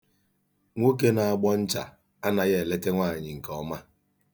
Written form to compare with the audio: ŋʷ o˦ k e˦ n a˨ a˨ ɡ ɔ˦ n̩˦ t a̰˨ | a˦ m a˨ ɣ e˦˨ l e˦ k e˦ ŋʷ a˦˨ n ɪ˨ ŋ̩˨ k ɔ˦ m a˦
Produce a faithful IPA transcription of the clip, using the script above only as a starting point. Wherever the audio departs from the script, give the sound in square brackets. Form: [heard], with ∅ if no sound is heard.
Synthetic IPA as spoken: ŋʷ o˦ k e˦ n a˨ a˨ [ɡ͡b] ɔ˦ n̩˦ [t͡ʃ] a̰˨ | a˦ [n] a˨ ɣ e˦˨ l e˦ [t] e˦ ŋʷ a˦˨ [ɲ] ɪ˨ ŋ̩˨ k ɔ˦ m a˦

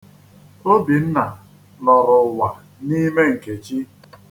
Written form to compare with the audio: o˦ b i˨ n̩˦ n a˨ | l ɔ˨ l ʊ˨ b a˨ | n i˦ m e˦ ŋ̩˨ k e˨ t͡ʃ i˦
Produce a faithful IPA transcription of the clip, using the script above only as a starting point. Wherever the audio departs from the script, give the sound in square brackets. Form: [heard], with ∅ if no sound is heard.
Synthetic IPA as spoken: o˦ b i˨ n̩˦ n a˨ | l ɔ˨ [ɾ] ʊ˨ [w] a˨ | n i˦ m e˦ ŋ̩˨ k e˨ t͡ʃ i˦

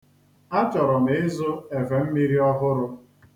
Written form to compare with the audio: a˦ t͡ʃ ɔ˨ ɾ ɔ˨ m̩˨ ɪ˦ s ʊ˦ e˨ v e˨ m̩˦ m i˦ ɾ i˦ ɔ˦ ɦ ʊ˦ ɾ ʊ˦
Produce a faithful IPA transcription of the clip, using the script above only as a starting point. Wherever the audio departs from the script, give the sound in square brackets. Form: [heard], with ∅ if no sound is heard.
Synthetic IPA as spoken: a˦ t͡ʃ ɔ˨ ɾ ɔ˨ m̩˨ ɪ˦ [z] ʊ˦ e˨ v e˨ m̩˦ m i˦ ɾ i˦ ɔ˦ ɦ ʊ˦ ɾ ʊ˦

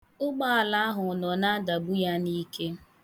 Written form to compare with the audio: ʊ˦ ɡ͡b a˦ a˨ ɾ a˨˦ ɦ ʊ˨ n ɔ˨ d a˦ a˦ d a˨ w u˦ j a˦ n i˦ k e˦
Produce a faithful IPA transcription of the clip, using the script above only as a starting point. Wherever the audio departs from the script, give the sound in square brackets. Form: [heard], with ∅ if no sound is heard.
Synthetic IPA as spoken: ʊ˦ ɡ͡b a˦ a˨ [l] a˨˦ ɦ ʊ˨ n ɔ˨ [n] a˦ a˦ d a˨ [b] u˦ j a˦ n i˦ k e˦

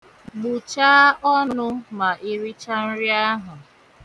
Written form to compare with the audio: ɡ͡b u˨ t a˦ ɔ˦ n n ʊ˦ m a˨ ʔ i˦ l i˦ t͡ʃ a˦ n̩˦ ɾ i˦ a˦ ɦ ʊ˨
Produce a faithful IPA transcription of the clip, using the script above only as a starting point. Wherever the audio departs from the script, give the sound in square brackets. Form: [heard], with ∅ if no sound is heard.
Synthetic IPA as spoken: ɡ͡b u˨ [t͡ʃ] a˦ ɔ˦ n n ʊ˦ m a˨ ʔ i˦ [ɾ] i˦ t͡ʃ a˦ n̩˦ ɾ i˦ a˦ ɦ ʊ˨

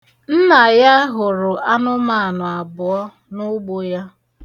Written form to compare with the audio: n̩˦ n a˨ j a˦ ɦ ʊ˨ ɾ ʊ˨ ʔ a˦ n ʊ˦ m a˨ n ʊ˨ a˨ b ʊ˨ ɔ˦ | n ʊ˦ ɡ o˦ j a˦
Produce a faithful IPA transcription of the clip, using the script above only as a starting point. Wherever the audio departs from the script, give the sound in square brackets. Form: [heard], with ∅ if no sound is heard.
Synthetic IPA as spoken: n̩˦ n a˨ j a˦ ɦ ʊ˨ ɾ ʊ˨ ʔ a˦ n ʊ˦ m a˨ n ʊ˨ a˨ b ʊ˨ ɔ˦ | n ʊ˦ [ɡ͡b] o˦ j a˦

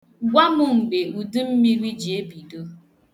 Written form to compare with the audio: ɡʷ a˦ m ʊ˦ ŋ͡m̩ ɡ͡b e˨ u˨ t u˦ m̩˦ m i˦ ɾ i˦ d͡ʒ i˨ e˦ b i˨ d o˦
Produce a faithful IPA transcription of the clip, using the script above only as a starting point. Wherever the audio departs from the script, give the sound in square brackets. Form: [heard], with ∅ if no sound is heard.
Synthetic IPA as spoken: ɡʷ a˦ m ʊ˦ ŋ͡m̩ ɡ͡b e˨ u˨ [d] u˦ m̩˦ m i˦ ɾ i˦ d͡ʒ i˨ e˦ b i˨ d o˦

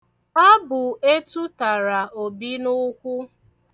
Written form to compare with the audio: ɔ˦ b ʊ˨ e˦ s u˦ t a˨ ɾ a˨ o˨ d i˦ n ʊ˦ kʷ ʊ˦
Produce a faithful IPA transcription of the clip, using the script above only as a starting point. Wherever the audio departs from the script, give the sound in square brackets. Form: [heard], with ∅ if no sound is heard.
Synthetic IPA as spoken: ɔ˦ b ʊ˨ e˦ [t] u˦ t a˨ ɾ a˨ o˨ [b] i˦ n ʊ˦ kʷ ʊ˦

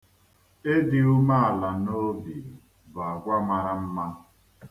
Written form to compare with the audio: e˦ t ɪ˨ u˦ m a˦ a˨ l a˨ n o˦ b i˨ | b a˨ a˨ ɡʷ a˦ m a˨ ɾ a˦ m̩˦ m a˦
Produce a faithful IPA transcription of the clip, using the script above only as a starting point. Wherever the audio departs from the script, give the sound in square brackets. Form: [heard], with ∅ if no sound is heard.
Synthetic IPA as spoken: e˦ [d] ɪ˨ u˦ m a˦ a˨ l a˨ n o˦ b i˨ | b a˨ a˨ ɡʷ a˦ m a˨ ɾ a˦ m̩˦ m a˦

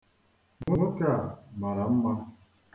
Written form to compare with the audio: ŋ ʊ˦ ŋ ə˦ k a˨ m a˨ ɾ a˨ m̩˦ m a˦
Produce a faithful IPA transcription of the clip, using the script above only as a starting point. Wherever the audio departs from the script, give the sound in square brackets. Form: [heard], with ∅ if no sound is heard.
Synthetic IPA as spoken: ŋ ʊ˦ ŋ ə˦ k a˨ m a˨ ɾ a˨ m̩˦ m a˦

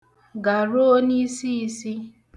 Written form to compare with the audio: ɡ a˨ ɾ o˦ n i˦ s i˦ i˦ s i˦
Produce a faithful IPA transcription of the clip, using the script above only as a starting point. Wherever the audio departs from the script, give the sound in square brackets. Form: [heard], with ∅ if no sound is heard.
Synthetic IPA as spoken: ɡ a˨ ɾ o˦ n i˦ s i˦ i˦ s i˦

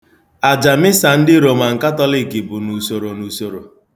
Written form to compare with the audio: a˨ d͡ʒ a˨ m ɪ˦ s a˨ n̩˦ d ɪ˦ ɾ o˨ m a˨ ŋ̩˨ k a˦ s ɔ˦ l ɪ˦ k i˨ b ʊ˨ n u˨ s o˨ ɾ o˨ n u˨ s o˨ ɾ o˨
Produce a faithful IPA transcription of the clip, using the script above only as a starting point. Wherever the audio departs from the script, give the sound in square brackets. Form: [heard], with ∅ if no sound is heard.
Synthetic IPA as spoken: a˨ d͡ʒ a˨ m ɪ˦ s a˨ n̩˦ d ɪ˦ ɾ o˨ m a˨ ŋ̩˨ k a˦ [t] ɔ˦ l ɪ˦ k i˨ b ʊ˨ n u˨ s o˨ ɾ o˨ n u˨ s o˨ ɾ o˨

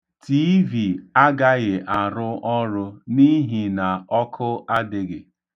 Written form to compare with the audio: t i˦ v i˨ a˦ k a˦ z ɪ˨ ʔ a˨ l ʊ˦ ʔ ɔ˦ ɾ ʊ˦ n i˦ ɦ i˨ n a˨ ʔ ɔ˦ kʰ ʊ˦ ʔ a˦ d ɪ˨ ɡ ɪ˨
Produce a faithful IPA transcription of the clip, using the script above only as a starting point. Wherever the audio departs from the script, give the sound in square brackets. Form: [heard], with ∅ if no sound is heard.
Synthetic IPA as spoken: t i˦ v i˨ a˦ [ɡ] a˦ [ɣ] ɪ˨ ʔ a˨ [ɾ] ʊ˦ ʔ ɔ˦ ɾ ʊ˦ n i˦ ɦ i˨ n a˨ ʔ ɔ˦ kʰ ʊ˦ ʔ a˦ d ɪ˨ ɡ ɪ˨

